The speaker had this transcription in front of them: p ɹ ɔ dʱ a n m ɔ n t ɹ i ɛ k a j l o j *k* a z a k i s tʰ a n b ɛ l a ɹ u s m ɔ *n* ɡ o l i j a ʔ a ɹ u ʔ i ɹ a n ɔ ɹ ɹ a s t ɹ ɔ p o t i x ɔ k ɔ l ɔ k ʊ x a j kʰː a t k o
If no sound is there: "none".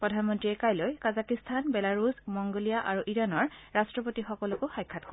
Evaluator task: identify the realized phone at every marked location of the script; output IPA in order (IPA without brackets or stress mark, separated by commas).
k, ŋ